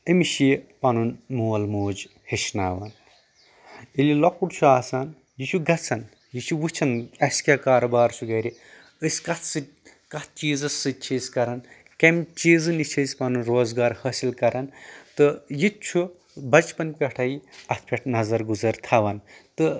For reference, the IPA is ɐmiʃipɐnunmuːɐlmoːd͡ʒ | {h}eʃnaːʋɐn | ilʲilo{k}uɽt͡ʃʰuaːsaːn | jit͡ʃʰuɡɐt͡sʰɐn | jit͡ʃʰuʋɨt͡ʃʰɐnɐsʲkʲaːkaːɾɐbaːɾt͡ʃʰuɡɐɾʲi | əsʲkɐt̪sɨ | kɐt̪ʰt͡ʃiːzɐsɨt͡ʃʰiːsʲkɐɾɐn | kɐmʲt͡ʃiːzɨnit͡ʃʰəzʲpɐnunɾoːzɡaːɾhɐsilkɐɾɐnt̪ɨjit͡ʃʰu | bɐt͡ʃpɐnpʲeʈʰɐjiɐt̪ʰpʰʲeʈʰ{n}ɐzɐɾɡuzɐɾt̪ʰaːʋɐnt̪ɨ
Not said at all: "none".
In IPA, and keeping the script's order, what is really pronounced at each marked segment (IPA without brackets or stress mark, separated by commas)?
h, k, n